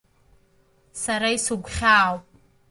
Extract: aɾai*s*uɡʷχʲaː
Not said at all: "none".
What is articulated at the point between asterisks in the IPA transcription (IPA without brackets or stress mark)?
s